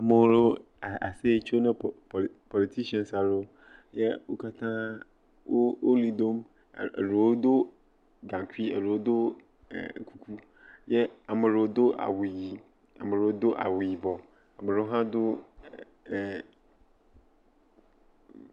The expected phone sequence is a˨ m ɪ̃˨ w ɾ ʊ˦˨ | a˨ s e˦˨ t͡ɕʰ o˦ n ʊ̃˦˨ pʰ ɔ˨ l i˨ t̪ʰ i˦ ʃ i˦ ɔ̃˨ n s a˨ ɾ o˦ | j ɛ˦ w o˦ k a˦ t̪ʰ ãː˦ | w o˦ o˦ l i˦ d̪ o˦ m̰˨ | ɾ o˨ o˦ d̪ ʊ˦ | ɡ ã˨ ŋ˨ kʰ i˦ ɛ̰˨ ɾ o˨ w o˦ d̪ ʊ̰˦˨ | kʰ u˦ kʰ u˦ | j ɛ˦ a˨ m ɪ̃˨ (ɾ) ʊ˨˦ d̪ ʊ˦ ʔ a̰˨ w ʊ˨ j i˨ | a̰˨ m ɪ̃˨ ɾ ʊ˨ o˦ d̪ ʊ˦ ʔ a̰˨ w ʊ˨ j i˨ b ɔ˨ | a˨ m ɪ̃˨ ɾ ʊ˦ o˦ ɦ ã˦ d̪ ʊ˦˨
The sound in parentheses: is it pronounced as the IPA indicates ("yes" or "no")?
yes